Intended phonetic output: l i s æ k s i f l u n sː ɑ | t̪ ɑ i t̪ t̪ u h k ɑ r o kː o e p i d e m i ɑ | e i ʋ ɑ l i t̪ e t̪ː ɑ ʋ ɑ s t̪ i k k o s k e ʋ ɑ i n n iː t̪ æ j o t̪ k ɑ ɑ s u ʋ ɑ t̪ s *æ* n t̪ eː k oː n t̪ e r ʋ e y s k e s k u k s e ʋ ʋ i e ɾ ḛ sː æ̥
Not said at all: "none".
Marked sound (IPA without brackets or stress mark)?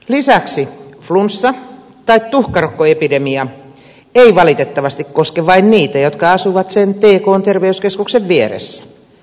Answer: e